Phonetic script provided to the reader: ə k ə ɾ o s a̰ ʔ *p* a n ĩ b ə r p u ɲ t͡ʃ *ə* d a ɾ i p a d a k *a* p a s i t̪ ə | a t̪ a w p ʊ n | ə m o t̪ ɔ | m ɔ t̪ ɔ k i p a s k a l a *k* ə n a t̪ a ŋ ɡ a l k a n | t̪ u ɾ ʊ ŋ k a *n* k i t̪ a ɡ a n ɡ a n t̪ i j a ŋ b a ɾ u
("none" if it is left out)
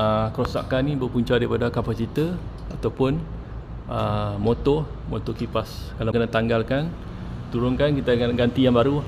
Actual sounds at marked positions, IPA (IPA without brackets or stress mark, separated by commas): k, a, a, k, n